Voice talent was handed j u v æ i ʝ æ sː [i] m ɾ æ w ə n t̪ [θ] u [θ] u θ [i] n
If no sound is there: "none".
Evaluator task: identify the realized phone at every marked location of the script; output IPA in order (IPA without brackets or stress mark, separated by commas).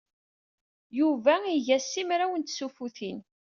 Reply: i, s, f, i